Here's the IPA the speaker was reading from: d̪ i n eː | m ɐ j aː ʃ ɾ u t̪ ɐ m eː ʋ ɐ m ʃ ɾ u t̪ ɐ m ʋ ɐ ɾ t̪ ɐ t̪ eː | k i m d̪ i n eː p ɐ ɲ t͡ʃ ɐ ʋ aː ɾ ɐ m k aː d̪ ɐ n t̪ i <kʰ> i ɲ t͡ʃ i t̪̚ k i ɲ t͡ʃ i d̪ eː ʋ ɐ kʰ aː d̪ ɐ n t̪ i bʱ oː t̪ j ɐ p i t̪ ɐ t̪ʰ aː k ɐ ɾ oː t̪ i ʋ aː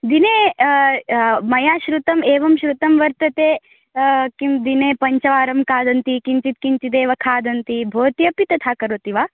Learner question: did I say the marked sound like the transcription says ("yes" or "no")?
no